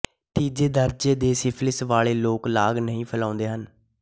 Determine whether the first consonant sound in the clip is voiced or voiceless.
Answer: voiceless